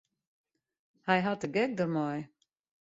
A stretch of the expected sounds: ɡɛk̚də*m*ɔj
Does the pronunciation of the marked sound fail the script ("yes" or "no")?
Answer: no